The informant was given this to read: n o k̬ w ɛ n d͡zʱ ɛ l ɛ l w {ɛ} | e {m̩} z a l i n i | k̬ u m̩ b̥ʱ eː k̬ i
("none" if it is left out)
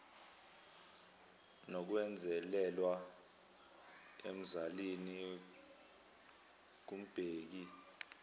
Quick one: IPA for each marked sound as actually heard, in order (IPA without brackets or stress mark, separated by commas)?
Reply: a, m̩